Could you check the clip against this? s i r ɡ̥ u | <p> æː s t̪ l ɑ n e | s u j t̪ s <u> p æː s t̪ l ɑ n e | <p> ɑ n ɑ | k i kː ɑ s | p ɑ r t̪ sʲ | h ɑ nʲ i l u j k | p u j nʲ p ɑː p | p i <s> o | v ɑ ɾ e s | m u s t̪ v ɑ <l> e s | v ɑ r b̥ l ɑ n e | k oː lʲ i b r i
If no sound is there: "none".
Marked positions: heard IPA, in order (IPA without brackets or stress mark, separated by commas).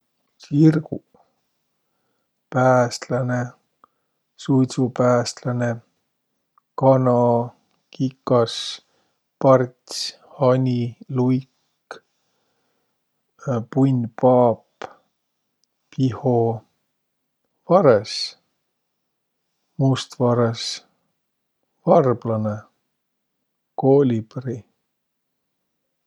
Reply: p, u, k, h, ɾ